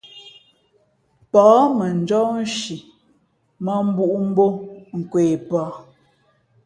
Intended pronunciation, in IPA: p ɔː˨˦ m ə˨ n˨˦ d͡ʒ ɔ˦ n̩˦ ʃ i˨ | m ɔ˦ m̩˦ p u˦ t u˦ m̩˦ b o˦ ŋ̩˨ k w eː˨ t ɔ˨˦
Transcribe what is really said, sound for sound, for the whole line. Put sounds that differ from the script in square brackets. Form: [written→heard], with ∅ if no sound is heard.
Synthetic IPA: p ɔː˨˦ m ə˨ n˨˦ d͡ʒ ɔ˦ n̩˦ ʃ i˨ | m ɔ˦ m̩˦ [p→b] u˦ [t→ʔ] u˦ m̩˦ b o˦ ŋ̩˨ k w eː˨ [t→p] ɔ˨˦